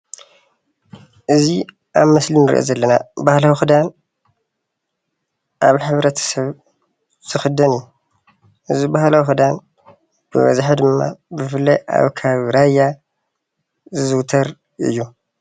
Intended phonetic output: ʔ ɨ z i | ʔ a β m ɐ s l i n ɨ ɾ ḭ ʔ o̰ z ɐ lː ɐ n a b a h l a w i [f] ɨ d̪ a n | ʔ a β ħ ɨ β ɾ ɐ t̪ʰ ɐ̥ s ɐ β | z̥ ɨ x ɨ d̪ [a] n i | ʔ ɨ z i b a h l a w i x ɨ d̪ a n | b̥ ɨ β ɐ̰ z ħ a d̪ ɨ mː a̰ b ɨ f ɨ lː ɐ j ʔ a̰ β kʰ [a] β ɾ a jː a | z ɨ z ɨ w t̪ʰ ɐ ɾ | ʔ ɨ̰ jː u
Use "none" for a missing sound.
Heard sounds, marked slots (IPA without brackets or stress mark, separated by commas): x, ɐ, a